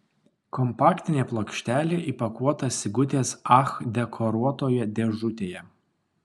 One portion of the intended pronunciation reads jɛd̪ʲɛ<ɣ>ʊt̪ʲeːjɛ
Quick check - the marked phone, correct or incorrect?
incorrect